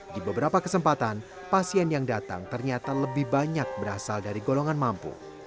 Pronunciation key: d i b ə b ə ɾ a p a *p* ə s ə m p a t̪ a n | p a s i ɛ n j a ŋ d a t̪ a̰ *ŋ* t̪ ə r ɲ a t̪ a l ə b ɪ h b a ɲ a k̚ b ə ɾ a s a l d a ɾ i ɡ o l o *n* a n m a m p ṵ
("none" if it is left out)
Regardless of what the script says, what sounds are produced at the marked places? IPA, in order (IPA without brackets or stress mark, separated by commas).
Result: k, ŋ, ŋ